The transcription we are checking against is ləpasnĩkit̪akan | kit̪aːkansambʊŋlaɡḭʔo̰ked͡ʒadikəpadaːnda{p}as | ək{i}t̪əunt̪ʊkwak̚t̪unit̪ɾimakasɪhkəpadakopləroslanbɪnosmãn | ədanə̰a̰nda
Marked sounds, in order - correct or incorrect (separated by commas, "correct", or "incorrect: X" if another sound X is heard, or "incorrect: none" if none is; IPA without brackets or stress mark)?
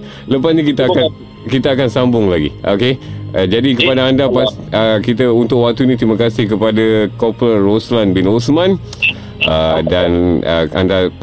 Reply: correct, correct